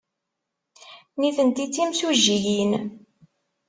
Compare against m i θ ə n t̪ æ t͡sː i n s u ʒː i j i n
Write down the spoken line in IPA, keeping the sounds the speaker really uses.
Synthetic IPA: n i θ ə n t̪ i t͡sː i m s u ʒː i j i n